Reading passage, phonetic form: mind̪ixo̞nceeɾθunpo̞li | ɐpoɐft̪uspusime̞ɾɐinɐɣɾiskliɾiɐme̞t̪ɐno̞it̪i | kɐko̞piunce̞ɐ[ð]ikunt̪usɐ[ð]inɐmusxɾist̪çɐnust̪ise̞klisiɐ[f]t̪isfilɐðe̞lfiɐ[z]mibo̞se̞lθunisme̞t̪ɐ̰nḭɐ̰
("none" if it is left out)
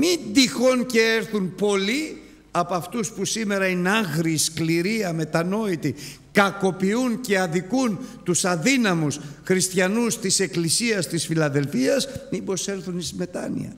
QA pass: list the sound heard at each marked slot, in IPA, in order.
ð, ð, s, s

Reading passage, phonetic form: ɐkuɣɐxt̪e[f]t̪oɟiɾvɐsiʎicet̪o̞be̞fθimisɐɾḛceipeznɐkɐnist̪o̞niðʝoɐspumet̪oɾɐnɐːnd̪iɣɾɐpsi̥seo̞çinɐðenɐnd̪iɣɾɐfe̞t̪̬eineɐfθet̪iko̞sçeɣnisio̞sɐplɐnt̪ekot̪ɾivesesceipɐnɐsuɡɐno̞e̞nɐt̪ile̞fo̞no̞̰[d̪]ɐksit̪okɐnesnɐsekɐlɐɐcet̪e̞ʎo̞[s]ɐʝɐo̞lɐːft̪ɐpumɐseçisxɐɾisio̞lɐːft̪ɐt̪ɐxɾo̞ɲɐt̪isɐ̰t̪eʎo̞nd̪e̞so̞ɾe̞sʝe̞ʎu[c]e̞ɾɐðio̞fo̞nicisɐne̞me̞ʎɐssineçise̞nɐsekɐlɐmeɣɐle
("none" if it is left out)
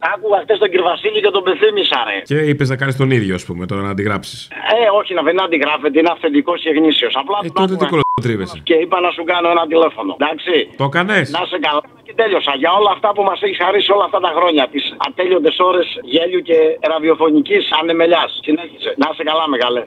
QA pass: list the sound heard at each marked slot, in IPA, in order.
s, d̪, s, c

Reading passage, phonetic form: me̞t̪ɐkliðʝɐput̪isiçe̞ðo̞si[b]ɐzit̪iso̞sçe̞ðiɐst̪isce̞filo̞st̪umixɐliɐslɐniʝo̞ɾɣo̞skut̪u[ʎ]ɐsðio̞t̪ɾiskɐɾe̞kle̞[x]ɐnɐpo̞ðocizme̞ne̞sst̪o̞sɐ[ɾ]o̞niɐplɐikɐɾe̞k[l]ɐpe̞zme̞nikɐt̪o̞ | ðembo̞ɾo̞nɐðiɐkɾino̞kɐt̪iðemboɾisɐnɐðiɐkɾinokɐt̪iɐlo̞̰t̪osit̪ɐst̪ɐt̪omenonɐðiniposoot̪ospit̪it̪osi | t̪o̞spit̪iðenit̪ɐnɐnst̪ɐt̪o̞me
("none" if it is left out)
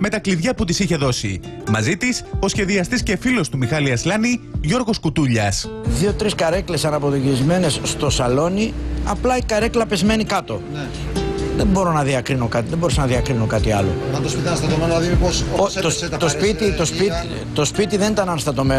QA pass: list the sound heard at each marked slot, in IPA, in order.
m, ʎ, s, l, l

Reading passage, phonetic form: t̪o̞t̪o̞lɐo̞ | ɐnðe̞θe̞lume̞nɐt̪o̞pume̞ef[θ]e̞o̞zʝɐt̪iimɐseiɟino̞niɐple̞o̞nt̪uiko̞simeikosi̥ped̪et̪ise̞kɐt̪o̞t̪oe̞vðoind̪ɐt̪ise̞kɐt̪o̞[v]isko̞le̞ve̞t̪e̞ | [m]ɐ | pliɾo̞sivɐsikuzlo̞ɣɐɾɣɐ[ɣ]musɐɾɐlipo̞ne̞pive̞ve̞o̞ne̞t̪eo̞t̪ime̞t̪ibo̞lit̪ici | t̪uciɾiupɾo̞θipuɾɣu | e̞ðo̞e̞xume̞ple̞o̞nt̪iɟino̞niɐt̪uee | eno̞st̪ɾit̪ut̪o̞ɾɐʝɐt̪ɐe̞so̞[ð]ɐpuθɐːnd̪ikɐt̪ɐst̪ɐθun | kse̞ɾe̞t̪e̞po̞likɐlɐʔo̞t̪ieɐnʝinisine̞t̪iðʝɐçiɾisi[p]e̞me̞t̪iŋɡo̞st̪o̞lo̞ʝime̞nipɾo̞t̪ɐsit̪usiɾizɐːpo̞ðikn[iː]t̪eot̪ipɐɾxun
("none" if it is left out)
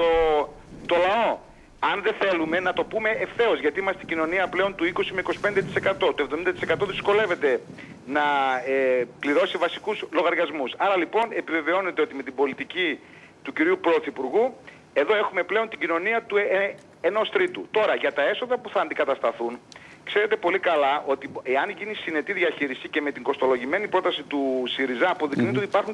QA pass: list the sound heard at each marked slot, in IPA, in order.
θ, ð, n, z, ð, c, i

